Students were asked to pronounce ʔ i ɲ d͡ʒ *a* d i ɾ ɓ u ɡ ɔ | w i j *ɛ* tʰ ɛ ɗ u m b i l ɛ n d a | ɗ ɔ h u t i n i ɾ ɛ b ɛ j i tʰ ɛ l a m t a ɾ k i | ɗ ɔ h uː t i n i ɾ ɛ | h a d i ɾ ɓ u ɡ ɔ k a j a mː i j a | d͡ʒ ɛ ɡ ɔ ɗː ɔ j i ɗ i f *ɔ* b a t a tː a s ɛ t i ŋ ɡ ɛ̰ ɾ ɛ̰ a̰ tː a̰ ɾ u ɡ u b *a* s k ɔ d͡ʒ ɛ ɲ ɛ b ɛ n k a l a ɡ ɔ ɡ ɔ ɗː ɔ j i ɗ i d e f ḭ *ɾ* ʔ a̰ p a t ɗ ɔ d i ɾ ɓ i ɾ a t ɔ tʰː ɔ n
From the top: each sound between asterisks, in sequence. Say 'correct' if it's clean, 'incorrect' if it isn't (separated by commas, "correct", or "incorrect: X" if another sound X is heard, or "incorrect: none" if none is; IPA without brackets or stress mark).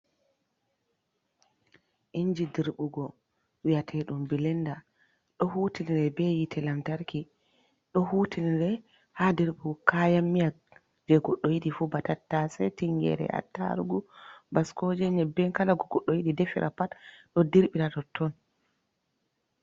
incorrect: i, incorrect: a, incorrect: u, correct, correct